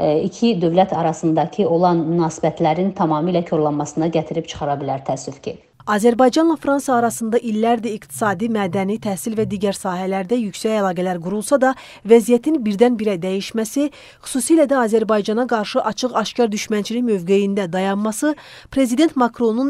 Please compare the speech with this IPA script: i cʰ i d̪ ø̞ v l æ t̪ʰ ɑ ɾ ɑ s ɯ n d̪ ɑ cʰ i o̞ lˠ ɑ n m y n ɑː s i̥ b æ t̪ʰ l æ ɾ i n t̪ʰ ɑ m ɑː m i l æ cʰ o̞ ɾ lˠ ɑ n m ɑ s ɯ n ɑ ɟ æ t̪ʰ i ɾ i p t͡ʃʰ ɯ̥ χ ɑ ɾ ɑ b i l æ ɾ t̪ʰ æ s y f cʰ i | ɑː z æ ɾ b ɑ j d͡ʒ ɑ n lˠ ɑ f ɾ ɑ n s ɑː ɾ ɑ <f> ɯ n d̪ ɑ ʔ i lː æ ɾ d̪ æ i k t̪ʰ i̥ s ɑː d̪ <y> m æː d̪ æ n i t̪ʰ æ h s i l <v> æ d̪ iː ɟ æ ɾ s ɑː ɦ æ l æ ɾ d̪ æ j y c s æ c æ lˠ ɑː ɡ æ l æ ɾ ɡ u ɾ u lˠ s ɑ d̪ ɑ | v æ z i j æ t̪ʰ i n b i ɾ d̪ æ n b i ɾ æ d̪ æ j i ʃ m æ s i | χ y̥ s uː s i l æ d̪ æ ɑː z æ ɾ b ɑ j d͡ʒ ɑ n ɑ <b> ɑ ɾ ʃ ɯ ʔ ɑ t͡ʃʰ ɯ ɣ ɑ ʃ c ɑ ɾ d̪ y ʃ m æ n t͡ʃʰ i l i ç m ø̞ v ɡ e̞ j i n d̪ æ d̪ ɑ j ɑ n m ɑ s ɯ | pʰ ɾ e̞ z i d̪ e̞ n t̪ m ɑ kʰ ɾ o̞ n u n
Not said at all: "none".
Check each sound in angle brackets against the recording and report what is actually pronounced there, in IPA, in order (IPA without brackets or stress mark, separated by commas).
s, i, v, ɡ